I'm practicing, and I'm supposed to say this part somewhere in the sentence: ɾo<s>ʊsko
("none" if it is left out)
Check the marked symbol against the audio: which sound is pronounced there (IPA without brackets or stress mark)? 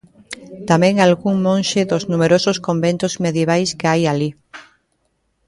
s